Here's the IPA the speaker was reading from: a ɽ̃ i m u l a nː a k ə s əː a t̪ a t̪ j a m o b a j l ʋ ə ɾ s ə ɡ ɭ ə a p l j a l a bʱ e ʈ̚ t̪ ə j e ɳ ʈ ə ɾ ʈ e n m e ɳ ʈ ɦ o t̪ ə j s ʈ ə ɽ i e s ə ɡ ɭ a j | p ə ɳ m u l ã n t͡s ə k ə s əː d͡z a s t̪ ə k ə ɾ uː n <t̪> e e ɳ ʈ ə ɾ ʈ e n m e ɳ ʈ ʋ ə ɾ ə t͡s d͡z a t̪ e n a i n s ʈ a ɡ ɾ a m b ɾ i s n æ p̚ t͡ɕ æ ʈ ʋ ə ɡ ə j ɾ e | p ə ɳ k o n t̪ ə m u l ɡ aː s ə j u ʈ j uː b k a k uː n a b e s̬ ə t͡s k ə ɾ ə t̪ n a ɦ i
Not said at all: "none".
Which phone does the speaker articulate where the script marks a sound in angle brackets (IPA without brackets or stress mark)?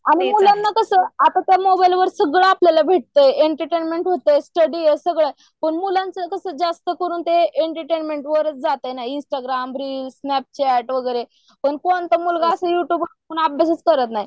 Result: t̪